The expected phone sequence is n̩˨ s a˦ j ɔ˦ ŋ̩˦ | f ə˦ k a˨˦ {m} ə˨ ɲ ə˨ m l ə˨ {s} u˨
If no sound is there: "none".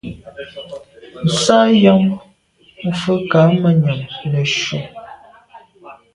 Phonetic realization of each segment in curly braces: m, ʃ

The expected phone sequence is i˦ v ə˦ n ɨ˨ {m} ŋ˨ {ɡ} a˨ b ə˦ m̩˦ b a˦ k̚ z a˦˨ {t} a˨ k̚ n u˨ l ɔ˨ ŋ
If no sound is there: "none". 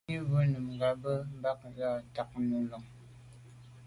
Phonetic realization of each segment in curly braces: m, ɡ, t

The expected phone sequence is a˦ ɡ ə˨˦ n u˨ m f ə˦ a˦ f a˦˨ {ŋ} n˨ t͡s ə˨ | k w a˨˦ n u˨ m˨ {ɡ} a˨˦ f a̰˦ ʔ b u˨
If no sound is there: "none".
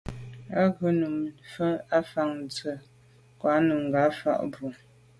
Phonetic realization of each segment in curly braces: ŋ, ɡ

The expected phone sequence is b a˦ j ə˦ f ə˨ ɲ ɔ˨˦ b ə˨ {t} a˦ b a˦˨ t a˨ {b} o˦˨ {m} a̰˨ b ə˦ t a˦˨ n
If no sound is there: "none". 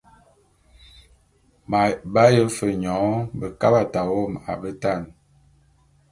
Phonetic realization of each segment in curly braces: k, w, m

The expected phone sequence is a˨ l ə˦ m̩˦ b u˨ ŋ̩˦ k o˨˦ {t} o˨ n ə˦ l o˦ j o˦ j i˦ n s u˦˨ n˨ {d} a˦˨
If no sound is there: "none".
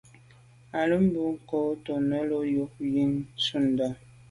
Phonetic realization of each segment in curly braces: t, d

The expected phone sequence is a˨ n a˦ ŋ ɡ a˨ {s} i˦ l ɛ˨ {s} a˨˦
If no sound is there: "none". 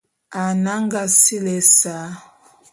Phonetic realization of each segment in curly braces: s, s

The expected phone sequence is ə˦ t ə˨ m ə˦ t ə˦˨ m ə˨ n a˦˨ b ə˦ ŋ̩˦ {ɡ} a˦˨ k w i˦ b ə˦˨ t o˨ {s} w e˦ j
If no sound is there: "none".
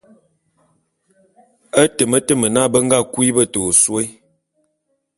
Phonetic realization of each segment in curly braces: ɡ, s

